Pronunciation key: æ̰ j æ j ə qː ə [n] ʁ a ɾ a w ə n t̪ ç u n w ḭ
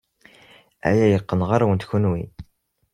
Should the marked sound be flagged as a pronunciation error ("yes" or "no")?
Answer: no